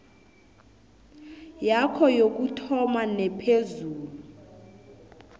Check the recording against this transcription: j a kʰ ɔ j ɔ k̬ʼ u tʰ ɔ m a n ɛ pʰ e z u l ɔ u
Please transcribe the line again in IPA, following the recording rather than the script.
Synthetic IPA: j a kʰ ɔ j o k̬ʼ u tʰ ɔ m a n ɛ pʰ e z uː l u u